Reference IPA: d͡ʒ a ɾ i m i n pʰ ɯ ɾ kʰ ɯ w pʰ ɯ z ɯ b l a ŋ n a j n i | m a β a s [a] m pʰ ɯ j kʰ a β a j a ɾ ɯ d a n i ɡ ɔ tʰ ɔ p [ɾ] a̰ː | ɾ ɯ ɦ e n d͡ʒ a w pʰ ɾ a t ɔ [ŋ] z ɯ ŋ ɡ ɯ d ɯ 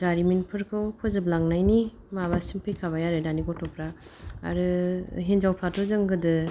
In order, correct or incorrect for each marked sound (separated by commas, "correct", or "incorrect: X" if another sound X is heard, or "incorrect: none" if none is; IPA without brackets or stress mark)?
incorrect: i, correct, incorrect: none